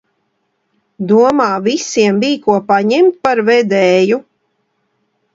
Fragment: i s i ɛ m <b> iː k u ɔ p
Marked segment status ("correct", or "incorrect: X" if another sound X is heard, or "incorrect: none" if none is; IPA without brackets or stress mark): correct